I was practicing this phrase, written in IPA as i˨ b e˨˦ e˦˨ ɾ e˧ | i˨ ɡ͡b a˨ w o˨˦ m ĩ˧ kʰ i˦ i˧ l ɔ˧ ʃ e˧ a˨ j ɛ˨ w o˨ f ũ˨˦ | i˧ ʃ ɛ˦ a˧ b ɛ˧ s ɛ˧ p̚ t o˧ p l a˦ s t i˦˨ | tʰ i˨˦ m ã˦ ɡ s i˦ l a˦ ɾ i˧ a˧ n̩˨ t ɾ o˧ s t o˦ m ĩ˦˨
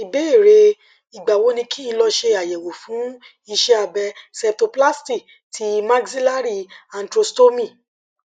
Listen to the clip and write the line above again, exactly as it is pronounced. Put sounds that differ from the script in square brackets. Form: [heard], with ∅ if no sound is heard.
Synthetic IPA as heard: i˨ b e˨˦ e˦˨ ɾ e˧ | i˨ ɡ͡b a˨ w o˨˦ [n] ĩ˧ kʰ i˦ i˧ l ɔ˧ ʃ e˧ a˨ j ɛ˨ w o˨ f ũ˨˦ | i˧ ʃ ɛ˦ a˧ b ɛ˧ s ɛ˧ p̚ t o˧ p l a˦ s t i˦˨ | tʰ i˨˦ m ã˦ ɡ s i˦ l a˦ ɾ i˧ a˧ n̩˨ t ɾ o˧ s t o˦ m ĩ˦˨

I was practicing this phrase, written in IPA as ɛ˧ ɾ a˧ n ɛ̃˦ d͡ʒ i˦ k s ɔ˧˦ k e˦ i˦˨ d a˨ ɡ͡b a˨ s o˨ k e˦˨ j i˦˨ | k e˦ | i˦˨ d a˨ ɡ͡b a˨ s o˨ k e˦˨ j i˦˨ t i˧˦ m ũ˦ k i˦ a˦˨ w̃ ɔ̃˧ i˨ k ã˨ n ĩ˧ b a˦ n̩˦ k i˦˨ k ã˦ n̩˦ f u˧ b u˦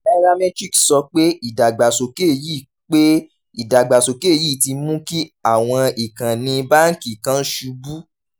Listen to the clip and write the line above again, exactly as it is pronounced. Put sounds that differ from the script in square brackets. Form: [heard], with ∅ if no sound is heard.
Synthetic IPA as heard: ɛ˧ ɾ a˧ [m] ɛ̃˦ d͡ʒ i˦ k s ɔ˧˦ [k͡p] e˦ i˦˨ d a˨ ɡ͡b a˨ s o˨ k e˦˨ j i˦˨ | [k͡p] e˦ | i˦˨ d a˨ ɡ͡b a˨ s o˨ k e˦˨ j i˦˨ t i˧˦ m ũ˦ k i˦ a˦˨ w̃ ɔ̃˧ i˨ k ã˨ n ĩ˧ b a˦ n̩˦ k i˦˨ k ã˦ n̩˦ [ʃ] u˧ b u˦

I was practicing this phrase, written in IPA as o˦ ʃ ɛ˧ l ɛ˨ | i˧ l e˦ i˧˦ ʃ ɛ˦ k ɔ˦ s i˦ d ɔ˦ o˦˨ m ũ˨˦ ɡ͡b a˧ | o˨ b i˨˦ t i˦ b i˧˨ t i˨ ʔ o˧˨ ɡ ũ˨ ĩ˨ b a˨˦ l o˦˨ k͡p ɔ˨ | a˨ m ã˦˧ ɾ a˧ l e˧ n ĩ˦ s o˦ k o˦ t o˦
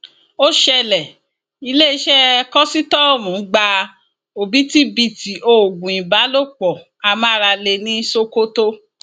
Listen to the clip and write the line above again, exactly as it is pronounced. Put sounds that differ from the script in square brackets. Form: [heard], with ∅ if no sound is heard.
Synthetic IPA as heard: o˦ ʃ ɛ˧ l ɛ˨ | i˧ l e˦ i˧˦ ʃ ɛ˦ k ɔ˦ s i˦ [t] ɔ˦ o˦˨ m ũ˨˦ ɡ͡b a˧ | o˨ b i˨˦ t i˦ b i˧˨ t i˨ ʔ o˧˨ ɡ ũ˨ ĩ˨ b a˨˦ l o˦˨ k͡p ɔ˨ | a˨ m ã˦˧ ɾ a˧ l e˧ n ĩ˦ s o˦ k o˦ t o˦

